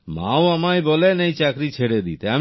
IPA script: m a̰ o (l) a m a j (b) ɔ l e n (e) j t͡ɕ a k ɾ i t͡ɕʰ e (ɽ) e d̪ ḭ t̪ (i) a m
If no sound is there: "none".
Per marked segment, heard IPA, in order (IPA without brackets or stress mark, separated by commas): none, b, e, ɽ, e